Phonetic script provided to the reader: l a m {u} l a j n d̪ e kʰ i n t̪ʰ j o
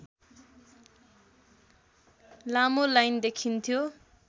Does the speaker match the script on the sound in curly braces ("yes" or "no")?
no